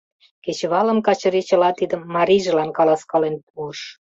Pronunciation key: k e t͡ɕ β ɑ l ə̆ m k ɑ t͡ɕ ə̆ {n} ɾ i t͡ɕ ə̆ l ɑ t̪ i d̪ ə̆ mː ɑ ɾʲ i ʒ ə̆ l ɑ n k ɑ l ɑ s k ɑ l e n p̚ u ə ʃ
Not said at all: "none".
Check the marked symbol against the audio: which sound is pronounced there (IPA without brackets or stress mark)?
none